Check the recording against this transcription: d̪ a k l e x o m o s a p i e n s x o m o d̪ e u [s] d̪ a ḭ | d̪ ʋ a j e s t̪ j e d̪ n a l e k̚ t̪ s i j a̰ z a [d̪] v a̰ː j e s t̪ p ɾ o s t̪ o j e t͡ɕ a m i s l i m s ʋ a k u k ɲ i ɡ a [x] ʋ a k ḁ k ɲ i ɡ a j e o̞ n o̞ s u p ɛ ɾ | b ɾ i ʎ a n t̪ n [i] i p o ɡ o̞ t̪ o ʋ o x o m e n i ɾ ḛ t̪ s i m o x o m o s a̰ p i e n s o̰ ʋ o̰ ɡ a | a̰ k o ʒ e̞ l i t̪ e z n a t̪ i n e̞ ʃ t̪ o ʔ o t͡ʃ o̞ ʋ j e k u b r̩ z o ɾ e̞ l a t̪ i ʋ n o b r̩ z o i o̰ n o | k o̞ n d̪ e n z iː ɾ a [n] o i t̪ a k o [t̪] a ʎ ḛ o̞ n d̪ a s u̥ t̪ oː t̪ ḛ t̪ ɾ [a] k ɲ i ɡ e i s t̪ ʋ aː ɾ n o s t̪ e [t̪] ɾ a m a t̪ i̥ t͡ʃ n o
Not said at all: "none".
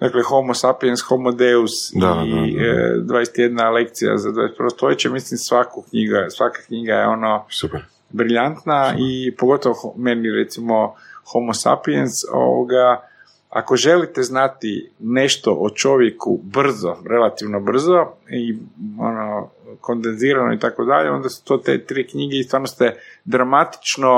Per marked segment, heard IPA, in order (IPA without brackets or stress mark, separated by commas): s, d̪, s, a, n, d̪, i, d̪